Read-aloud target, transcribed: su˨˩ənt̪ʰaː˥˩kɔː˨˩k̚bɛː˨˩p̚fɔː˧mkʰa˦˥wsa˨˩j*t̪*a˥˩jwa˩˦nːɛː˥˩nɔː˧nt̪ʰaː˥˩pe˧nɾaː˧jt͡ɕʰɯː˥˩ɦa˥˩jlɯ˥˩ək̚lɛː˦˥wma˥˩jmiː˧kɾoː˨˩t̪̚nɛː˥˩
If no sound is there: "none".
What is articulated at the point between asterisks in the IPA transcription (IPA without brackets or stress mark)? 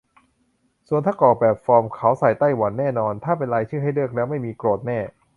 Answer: t̪